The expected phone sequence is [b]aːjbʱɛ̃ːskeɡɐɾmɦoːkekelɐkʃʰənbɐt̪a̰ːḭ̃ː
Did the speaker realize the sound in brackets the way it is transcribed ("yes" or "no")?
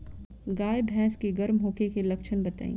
no